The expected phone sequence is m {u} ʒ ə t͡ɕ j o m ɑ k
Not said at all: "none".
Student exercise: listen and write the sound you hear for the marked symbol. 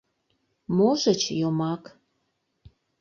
o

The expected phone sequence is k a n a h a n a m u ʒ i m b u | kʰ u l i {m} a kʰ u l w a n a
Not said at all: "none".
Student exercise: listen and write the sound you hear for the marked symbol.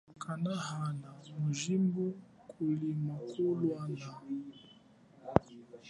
m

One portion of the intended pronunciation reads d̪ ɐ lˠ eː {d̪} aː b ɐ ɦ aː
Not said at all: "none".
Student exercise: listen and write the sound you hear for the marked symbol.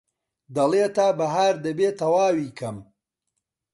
t̪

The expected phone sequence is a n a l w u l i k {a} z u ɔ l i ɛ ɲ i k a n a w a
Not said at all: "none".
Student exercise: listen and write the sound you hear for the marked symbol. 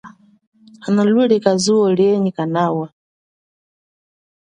a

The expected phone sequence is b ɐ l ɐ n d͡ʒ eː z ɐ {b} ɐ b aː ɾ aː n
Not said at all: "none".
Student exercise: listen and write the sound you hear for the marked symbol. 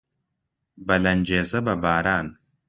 b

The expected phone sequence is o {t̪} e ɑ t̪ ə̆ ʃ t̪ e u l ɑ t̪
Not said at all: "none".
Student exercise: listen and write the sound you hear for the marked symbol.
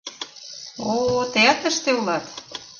t̪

